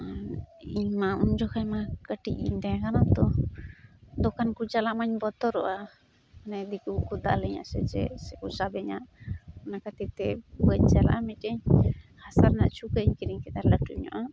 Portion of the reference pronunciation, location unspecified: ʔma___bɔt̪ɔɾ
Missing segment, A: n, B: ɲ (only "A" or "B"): B